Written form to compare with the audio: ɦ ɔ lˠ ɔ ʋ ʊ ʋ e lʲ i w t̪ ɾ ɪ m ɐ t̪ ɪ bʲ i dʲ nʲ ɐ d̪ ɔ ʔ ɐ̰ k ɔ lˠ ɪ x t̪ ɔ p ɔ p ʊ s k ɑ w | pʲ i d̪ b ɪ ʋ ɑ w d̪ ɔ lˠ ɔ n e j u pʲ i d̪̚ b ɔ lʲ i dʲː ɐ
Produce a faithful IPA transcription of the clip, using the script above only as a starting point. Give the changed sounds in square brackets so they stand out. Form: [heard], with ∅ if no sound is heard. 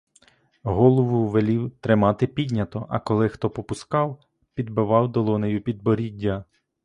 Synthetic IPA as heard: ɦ ɔ lˠ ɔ ʋ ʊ ʋ e lʲ i w t̪ ɾ ɪ m [ɑ] t̪ ɪ [pʲ] i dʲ nʲ ɐ [t̪] ɔ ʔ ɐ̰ k ɔ lˠ ɪ x t̪ ɔ p ɔ p ʊ s k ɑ w | pʲ i d̪ b ɪ ʋ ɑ w d̪ ɔ lˠ ɔ n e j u pʲ i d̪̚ b ɔ [ɾʲ] i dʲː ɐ